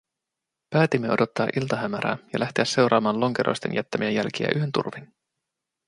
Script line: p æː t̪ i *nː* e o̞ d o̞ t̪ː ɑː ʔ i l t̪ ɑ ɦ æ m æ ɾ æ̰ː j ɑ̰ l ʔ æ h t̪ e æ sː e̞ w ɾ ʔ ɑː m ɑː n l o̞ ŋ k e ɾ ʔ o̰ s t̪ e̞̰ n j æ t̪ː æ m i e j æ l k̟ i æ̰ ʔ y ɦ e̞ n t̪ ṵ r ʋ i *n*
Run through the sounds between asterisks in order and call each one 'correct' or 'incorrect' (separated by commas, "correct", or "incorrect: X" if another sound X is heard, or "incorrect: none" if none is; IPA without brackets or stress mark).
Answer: incorrect: mː, correct